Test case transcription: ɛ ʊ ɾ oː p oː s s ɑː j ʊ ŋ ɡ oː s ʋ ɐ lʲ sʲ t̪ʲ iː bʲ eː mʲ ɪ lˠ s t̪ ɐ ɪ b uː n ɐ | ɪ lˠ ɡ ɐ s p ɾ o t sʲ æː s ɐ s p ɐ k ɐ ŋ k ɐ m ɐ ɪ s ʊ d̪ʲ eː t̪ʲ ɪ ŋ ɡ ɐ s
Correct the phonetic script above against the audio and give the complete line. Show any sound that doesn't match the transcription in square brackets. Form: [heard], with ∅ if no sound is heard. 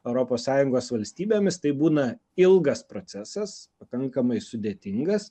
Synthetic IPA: ɛ ʊ ɾ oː p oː s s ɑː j ʊ ŋ ɡ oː s ʋ ɐ lʲ sʲ t̪ʲ iː bʲ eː mʲ ɪ [∅] s t̪ ɐ ɪ b uː n ɐ | ɪ lˠ ɡ ɐ s p ɾ o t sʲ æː s ɐ s p ɐ k ɐ ŋ k ɐ m ɐ ɪ s ʊ d̪ʲ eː t̪ʲ ɪ ŋ ɡ ɐ s